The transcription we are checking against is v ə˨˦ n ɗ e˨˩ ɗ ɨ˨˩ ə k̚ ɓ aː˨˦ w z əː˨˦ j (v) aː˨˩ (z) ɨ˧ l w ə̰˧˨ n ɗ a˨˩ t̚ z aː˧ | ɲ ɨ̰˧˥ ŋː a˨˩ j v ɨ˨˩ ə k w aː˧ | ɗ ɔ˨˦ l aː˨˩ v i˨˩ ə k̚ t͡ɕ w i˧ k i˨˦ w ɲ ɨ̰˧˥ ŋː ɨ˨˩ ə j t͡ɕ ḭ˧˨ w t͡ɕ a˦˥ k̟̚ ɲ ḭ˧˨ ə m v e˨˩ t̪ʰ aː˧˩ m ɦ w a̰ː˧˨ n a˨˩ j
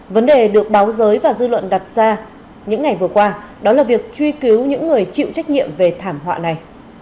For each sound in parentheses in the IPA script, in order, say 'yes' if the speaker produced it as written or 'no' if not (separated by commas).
yes, yes